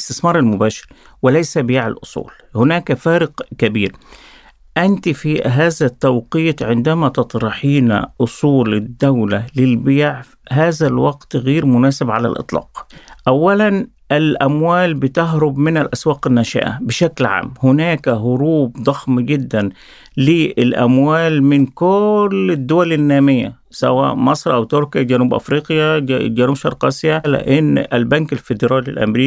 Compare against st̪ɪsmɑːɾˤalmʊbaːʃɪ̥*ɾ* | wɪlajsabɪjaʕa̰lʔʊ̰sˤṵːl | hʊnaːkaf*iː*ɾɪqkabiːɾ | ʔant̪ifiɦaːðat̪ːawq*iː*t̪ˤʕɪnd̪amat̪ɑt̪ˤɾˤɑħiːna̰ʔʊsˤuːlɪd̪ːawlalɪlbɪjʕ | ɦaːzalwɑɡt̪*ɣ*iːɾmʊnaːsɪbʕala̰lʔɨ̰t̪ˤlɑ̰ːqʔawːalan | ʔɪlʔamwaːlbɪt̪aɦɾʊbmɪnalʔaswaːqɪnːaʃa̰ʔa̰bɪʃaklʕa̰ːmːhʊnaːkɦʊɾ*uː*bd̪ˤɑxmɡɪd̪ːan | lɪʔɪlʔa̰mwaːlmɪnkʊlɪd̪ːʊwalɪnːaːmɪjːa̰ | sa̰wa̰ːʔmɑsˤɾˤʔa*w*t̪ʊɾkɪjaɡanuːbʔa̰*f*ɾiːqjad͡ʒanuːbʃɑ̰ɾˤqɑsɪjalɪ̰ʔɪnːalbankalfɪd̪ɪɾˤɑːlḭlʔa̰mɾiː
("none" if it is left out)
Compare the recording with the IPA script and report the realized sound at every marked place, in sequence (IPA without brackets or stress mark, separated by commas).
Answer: ɾ, aː, iː, ɣ, uː, w, f